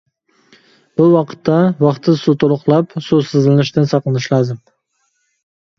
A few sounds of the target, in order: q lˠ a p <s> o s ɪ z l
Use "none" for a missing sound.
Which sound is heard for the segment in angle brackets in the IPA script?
s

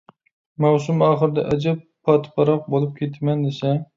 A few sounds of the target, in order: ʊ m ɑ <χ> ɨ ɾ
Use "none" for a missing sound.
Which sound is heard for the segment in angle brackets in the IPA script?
χ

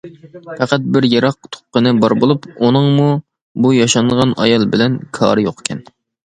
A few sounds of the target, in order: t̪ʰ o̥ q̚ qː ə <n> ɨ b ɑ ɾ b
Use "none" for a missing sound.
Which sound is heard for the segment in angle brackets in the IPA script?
n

